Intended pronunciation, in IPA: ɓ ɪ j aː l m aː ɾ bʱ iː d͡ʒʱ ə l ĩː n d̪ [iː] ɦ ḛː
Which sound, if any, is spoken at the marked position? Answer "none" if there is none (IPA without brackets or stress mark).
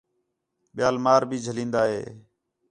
aː